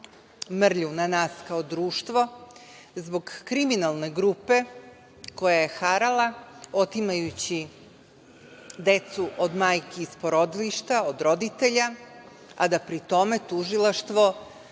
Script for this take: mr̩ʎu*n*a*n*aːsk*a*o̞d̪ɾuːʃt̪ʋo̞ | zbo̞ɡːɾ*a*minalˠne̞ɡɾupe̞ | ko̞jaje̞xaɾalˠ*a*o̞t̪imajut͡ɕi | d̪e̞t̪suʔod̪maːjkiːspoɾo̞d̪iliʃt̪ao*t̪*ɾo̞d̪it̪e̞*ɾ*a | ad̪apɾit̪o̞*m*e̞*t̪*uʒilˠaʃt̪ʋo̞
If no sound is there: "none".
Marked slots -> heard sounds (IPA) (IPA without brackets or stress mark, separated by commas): n, n, a, i, a, d̪, ʎ, m, t̪